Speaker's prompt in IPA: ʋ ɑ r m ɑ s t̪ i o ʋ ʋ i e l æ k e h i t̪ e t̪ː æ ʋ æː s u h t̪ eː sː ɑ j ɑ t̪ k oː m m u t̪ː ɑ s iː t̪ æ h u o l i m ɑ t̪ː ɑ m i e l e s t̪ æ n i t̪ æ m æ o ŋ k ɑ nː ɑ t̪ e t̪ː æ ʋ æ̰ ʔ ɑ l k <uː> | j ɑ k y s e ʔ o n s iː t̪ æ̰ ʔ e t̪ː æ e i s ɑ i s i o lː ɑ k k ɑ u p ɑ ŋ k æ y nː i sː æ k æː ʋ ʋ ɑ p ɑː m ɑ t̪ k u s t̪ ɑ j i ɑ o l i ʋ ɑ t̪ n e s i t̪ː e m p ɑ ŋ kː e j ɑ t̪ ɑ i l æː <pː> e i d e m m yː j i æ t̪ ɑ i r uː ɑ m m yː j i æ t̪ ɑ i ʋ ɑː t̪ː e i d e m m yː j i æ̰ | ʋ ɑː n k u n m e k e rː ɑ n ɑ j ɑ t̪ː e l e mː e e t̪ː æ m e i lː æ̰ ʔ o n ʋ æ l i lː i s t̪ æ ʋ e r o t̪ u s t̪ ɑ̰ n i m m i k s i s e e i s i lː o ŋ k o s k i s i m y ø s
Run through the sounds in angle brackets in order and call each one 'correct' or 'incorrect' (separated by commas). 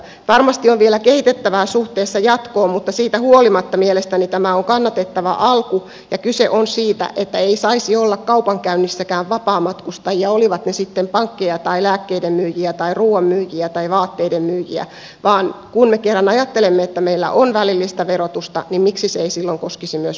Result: incorrect, incorrect